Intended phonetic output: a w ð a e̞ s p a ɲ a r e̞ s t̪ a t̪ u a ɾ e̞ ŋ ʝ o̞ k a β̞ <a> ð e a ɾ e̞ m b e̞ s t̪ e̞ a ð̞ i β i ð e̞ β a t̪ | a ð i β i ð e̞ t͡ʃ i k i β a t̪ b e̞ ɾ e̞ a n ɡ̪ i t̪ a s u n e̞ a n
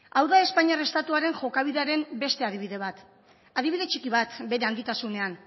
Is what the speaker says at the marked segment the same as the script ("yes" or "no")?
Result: no